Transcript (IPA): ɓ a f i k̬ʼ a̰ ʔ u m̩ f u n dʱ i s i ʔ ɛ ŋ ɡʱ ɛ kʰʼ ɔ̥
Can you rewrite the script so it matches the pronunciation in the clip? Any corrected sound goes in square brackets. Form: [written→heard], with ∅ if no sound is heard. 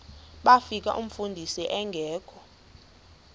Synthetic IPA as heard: ɓ a f i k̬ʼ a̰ ʔ u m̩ f u n dʱ i s i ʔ ɛ ŋ ɡʱ [ɛ→ɛː] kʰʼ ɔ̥